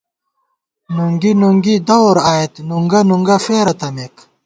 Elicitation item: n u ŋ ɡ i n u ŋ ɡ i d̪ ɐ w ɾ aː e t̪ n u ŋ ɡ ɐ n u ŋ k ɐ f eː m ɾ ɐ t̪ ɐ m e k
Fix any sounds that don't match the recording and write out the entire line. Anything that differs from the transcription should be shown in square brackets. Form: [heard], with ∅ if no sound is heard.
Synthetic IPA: n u ŋ ɡ i n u ŋ ɡ i d̪ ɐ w ɾ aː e t̪ n u ŋ ɡ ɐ n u ŋ [ɡ] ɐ f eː [∅] ɾ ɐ t̪ ɐ m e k